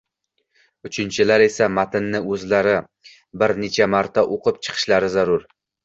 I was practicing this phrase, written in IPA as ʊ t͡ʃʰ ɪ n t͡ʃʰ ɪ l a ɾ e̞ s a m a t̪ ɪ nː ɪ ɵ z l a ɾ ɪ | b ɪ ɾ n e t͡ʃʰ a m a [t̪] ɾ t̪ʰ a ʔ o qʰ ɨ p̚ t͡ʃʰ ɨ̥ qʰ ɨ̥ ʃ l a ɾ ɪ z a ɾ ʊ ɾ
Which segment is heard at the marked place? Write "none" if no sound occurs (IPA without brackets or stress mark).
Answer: none